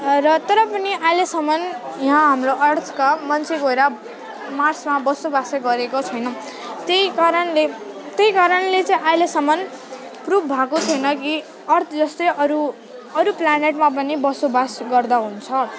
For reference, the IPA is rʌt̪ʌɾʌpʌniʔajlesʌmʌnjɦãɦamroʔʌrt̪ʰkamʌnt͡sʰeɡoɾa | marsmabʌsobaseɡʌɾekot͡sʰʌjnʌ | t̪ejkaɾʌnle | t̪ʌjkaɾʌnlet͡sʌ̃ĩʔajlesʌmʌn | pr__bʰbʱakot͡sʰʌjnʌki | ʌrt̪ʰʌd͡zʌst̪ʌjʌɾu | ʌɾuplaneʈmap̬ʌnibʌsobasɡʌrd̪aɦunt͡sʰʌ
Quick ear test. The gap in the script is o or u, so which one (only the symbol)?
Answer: u